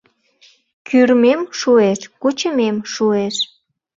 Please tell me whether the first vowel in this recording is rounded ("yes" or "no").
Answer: yes